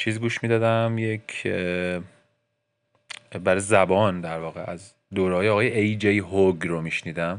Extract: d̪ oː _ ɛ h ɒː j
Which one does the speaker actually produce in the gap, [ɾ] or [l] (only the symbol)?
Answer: ɾ